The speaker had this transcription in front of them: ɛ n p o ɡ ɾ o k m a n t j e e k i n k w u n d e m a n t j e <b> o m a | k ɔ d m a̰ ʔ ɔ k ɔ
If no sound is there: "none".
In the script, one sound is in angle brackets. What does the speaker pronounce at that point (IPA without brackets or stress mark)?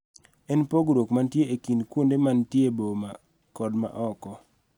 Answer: b